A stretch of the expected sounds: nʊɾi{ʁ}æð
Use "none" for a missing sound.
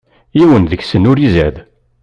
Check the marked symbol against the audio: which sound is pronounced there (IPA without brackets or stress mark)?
z